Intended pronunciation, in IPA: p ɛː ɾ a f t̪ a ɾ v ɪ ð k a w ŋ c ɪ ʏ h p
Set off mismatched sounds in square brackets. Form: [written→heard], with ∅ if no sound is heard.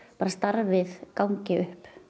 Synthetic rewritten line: p [ɛː→aː] ɾ a [f→s] t̪ a ɾ v ɪ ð k a w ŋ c ɪ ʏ h p